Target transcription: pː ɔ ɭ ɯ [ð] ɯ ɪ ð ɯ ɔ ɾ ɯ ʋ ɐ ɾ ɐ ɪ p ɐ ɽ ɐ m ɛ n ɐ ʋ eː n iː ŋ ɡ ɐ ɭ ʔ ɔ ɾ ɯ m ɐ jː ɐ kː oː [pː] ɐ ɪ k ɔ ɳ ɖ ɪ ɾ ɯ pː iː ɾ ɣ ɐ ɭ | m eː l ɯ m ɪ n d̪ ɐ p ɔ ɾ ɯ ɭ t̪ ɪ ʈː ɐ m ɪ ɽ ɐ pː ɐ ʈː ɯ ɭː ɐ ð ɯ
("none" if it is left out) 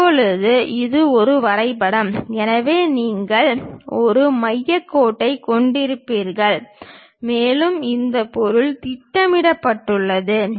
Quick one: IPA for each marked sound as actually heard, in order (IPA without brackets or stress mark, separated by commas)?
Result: ð, ʈː